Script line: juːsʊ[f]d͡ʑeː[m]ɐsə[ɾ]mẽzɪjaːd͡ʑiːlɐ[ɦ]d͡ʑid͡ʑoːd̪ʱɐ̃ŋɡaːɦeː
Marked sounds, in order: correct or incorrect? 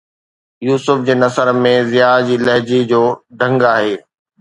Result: correct, incorrect, correct, correct

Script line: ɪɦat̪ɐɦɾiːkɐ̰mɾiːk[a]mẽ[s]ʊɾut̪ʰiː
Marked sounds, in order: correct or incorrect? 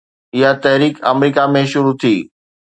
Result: correct, incorrect

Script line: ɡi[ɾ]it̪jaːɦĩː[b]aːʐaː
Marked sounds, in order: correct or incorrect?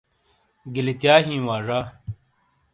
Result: incorrect, incorrect

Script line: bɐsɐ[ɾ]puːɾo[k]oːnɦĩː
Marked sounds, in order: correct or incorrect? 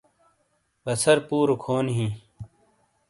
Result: correct, incorrect

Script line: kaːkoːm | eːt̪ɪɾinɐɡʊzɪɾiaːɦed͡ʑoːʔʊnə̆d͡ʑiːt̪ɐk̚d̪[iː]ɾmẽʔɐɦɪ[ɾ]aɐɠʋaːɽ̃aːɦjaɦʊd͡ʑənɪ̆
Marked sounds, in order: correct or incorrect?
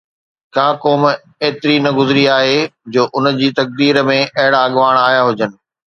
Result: correct, incorrect

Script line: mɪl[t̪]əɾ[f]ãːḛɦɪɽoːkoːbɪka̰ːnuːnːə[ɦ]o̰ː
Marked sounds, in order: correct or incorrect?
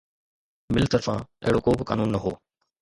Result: correct, correct, correct

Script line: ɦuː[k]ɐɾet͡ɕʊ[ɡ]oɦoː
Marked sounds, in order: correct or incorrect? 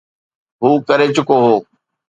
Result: correct, incorrect

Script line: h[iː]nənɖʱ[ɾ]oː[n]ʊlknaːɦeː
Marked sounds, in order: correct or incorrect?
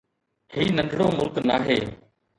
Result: correct, incorrect, incorrect

